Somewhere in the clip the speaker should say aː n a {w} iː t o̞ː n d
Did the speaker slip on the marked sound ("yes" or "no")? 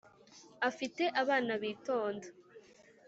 yes